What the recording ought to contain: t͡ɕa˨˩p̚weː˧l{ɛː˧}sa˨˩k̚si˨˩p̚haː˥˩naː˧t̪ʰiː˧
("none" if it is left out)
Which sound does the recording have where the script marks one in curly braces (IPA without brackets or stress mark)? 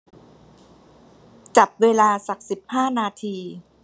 aː˧